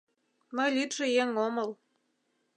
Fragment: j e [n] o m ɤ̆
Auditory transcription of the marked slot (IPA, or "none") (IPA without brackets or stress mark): ŋ